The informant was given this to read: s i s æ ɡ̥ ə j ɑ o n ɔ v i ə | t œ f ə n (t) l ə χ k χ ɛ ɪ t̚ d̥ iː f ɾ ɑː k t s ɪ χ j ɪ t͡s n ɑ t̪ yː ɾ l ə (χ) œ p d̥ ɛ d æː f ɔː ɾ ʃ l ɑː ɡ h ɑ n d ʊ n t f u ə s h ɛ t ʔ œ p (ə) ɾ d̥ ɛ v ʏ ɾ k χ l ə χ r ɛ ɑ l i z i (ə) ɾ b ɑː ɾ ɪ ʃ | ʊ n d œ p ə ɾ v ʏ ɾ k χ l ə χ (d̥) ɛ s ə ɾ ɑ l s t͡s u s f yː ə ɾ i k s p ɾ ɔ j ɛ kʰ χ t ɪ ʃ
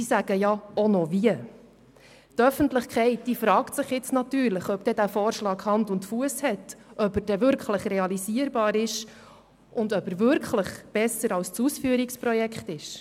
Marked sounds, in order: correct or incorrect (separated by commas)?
correct, correct, correct, correct, incorrect